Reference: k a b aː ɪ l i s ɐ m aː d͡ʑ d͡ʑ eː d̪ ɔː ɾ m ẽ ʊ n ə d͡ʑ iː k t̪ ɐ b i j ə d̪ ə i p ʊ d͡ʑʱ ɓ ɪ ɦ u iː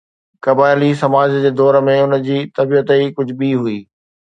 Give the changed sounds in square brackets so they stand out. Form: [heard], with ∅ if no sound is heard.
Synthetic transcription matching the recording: k [ɐ] b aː ɪ l i s ɐ m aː d͡ʑ d͡ʑ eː d̪ ɔː ɾ m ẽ ʊ n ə d͡ʑ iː [∅] t̪ ɐ b i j ə [t̪] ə i [k] ʊ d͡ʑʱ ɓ [i] ɦ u iː